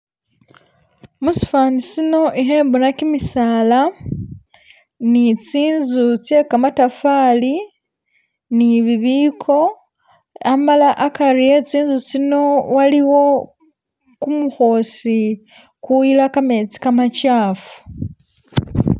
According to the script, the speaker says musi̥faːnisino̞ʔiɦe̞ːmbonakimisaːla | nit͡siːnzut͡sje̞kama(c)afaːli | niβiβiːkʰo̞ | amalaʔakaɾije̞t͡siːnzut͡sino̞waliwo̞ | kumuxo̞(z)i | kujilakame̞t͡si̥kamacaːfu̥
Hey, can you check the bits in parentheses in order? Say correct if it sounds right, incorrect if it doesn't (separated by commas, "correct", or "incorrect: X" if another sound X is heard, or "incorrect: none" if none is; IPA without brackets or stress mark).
incorrect: t, incorrect: s